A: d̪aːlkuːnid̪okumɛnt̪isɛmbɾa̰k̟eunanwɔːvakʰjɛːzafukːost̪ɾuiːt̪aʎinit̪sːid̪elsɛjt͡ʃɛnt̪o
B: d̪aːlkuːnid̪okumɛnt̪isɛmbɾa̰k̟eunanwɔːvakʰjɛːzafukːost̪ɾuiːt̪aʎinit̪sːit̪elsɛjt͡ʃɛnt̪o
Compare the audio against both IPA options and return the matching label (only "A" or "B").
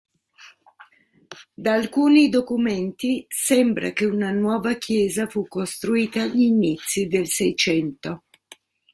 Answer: A